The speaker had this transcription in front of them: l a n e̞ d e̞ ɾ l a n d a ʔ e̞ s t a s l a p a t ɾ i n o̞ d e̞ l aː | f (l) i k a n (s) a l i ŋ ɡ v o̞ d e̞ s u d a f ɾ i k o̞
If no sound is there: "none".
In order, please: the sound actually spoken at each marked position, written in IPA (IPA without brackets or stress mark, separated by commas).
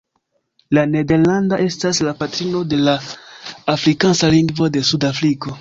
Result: ɾ, s